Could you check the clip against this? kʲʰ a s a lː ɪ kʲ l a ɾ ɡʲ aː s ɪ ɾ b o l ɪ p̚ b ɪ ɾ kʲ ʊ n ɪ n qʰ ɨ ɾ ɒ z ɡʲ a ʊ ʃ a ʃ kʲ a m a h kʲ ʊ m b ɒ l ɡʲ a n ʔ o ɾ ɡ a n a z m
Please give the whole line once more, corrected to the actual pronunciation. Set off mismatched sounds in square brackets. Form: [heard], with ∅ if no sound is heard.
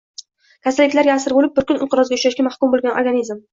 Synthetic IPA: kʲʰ a s a lː ɪ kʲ l a ɾ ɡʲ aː s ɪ ɾ b o l ɪ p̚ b ɪ ɾ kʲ ʊ n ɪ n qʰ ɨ ɾ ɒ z ɡʲ a ʊ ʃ a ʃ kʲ a m a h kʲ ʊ m b [o] l ɡʲ a n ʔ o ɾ ɡ a n [i] z m